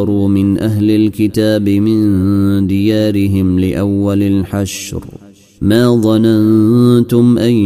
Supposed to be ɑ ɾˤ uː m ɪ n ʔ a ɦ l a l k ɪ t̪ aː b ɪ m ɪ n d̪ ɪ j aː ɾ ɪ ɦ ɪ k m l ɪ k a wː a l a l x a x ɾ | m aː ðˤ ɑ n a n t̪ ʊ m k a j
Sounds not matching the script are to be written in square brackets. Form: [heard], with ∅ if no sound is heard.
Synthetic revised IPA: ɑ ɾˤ uː m ɪ n ʔ a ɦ l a l k ɪ t̪ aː b ɪ m ɪ n d̪ ɪ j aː ɾ ɪ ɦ ɪ [∅] m l ɪ [ʔ] a wː a l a l [ħ] a [ʃ] ɾ | m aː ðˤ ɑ n a n t̪ ʊ m [ʔ] a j